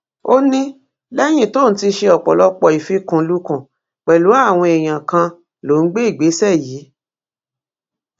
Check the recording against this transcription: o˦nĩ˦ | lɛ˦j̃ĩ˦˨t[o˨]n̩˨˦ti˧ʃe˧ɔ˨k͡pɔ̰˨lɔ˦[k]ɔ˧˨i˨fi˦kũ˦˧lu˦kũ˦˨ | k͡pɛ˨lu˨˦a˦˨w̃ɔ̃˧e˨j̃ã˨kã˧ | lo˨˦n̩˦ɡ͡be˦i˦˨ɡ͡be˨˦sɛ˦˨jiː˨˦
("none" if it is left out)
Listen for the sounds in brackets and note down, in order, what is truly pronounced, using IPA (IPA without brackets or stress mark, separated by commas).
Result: o˦, k͡p